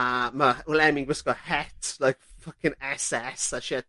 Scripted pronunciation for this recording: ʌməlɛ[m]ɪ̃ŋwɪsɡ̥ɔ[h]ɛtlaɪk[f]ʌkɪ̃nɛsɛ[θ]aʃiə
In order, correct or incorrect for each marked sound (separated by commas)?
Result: correct, correct, correct, incorrect